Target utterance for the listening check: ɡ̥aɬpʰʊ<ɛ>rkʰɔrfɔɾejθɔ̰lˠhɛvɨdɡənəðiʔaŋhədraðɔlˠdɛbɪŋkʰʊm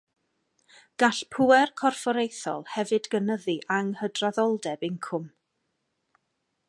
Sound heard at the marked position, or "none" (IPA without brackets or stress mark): ɛ